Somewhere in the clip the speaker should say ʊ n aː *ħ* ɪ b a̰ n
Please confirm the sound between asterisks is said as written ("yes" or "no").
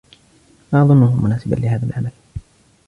no